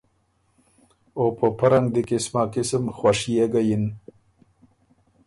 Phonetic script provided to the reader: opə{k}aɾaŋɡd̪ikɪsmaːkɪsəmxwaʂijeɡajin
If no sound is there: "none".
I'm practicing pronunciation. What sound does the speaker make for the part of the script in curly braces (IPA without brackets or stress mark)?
p